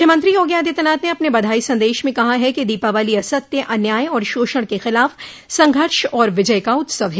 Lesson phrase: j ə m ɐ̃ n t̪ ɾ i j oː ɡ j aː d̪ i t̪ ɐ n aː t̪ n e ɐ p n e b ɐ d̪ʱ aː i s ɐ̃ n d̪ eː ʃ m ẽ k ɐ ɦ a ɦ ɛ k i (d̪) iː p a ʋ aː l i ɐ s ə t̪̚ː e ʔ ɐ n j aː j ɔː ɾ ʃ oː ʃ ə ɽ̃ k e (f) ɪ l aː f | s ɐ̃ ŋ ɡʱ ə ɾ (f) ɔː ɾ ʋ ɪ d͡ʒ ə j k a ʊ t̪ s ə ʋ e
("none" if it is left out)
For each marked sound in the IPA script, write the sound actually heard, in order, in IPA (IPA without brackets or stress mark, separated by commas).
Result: d̪, x, ʃ